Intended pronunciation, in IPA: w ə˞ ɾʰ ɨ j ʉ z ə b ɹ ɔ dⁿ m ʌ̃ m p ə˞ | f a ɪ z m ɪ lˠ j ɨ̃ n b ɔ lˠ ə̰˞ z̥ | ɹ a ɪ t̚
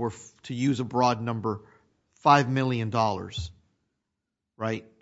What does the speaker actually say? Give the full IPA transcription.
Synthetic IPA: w ə˞ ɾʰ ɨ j ʉ z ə b ɹ ɔ dⁿ n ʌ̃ m b ə˞ | f a ɪ v m ɪ lˠ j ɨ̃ n d ɔ lˠ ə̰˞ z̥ | ɹ a ɪ t̚